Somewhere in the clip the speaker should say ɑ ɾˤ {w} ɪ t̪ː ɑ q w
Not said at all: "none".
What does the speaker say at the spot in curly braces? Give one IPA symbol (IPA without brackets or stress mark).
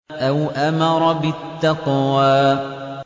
b